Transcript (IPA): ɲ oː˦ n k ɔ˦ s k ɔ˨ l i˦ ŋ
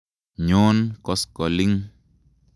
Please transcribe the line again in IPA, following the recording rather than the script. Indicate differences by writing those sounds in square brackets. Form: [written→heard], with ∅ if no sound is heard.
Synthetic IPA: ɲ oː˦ n k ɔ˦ s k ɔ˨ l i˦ ŋ